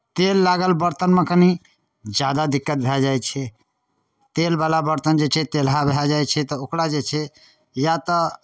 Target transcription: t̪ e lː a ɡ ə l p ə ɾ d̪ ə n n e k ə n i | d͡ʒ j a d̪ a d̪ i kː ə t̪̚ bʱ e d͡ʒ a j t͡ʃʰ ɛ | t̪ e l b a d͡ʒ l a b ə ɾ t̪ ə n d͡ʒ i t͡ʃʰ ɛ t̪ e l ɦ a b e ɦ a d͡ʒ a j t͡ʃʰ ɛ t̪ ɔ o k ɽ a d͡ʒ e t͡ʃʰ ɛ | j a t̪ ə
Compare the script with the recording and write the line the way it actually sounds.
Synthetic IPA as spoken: t̪ e lː a ɡ ə l b ə ɾ t̪ ə n m e k ə n i | d͡ʒ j a d̪ a d̪ i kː ə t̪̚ bʱ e d͡ʒ a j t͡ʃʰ ɛ | t̪ e l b a l a b ə ɾ t̪ ə n d͡ʒ e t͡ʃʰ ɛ t̪ e l ɦ a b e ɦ a d͡ʒ a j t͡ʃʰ ɛ t̪ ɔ o k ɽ a d͡ʒ e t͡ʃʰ ɛ | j a t̪ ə